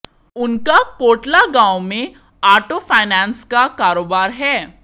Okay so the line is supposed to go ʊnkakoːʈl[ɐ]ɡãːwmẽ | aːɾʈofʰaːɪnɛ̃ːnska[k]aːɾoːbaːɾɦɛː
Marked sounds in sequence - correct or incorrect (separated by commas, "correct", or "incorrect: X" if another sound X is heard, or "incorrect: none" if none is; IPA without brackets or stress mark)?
incorrect: a, correct